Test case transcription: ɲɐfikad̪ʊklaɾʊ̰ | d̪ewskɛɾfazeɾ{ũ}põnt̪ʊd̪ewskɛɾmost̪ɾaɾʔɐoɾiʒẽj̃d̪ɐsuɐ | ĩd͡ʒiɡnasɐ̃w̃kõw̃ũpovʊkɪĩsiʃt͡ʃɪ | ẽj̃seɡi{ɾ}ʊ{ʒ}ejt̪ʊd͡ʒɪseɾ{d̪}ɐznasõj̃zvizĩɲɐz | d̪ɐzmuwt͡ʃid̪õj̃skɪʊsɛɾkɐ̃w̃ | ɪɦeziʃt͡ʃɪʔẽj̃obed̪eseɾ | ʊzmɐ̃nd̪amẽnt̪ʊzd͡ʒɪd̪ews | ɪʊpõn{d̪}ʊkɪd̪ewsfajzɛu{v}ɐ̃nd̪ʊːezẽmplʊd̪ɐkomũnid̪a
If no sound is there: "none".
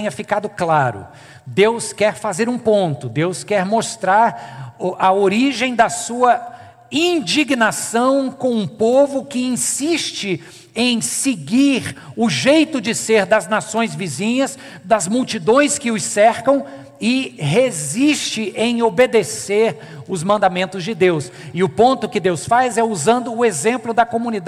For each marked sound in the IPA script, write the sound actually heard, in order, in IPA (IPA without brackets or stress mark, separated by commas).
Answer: ũ, ɾ, ʒ, d̪, t̪, z